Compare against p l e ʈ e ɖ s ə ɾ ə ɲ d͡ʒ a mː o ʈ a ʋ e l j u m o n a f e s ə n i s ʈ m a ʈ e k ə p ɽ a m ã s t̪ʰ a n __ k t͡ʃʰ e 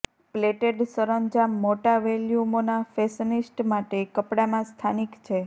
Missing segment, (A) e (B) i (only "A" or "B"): B